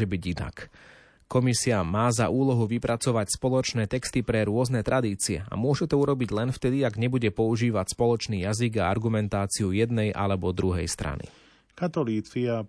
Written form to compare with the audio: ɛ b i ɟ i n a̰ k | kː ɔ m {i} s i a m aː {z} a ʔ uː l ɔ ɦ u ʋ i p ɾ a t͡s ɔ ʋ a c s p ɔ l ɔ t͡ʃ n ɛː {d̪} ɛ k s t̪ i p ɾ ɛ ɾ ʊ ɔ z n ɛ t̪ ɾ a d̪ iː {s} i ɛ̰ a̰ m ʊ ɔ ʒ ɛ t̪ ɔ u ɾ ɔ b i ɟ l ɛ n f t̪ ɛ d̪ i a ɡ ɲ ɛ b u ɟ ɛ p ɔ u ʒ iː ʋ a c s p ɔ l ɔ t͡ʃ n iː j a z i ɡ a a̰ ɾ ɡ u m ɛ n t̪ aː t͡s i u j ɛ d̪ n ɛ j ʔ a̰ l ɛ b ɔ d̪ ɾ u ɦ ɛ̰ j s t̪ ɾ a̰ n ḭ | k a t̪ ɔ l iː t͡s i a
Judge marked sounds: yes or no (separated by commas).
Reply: yes, yes, no, no